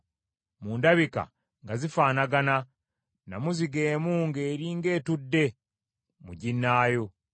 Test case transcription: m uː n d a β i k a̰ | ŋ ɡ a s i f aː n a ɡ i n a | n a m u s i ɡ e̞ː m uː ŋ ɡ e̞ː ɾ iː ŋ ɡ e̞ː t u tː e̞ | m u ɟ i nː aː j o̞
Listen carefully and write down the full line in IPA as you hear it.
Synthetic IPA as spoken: m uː n d a β i k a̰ | ŋ ɡ a z i f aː n a ɡ a n a | n a m u z i ɡ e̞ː m uː ŋ ɡ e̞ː ɾ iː ŋ ɡ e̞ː t u dː e̞ | m u ɟ i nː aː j o̞